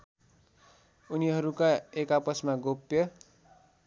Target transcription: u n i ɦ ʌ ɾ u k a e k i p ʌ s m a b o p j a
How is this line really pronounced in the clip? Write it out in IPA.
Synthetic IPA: u n i ɦ ʌ ɾ u k a e k a p ʌ s m a ɡ o p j ʌ